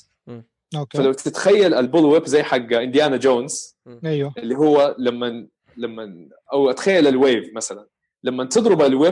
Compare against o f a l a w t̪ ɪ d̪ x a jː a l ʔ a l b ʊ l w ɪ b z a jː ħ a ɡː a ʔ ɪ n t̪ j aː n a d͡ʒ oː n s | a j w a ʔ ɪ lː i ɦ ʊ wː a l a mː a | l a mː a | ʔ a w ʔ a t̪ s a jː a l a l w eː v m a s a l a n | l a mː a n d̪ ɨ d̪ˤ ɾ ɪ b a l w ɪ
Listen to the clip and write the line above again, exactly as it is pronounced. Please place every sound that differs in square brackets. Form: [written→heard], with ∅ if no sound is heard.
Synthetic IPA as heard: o f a l a w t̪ ɪ [d̪→t̪] x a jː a l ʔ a l b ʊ l w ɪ b z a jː ħ a ɡː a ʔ ɪ n [t̪→d̪] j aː n a d͡ʒ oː n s | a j w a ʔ ɪ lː i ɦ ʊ wː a l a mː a | l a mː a | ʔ a w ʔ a t̪ [s→x] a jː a l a l w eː v m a s a l a n | l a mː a n [d̪→t̪] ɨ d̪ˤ ɾ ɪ b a l w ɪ